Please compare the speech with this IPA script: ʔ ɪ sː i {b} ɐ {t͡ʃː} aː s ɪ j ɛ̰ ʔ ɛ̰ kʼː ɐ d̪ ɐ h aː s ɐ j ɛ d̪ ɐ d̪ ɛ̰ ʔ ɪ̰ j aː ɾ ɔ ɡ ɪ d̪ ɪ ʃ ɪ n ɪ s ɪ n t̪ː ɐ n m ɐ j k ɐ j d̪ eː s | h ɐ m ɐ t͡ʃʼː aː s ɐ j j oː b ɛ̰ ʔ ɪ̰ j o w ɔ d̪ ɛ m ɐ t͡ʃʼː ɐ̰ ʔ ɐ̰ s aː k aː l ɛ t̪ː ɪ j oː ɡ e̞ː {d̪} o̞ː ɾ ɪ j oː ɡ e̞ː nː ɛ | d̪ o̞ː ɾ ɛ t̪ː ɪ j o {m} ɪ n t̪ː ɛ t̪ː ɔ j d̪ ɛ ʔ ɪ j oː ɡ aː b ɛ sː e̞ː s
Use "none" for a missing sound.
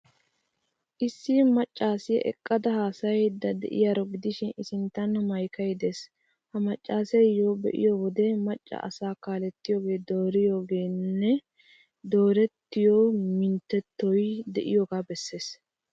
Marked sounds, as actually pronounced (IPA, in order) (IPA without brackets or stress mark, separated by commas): m, t͡ʃʼː, d̪, m